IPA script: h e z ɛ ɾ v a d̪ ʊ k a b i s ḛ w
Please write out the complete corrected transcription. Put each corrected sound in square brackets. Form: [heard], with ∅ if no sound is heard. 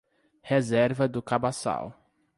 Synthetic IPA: h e z ɛ ɾ v [ɐ] d̪ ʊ k a b [a] s [a̰] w